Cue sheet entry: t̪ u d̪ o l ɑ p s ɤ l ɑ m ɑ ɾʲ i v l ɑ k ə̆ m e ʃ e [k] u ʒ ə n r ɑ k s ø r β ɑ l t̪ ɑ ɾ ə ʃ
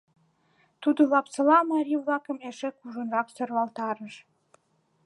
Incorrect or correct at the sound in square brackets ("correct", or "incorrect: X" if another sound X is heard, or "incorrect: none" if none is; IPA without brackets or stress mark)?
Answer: correct